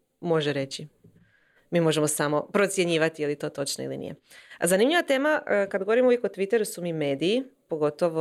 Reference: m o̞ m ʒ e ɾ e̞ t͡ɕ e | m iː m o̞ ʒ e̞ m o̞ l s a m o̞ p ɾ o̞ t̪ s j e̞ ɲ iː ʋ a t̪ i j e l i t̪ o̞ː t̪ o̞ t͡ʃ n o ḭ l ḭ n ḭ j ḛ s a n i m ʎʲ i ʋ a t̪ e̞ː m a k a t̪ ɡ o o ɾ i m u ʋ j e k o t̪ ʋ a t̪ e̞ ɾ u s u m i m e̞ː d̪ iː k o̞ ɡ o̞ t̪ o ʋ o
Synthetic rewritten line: m o̞ ʒ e ɾ e̞ t͡ɕ i | m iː m o̞ ʒ e̞ m o̞ s a m o̞ p ɾ o̞ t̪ s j e̞ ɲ iː ʋ a t̪ i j e l i t̪ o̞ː t̪ o̞ t͡ʃ n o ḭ l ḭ n ḭ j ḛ z a n i m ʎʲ i ʋ a t̪ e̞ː m a k a d̪ ɡ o o ɾ i m u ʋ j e k o t̪ ʋ i t̪ e̞ ɾ u s u m i m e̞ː d̪ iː p o̞ ɡ o̞ t̪ o ʋ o